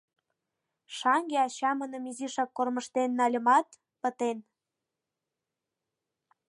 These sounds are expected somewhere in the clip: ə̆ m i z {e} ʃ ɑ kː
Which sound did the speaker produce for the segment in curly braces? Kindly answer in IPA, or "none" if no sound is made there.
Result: i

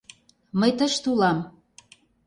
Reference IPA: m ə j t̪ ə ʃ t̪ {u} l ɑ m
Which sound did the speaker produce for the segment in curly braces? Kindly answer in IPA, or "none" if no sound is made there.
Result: u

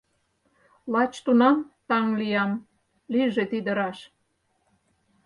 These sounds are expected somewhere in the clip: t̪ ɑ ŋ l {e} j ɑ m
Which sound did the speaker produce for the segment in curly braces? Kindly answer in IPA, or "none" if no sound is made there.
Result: i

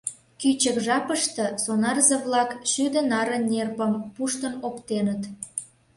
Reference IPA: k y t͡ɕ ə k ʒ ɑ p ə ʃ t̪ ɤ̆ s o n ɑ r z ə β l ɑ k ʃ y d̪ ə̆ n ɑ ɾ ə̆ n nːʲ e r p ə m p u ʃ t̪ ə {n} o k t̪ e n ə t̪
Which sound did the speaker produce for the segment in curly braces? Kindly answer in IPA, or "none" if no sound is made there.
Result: n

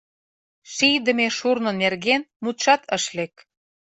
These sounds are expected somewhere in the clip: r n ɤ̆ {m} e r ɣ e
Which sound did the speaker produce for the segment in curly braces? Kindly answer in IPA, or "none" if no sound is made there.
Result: n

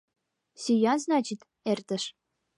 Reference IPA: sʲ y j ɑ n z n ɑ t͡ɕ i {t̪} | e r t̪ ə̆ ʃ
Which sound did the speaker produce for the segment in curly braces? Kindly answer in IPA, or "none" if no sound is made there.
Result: t̪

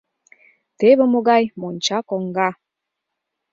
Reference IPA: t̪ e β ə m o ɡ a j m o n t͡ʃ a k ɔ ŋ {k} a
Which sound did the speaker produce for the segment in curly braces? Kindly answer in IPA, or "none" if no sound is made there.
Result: ɡ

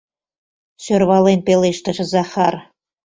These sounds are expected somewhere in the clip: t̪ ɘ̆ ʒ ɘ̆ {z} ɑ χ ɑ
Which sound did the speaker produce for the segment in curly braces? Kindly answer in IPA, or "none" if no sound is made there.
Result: z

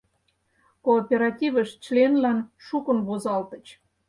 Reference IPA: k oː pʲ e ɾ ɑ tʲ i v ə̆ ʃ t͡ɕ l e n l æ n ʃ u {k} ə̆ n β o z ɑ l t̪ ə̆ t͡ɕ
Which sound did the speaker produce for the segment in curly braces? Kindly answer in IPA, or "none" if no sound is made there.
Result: k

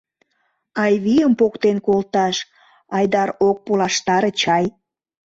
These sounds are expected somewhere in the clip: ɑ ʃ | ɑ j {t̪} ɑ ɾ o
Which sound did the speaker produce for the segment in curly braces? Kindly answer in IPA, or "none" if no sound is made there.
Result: d̪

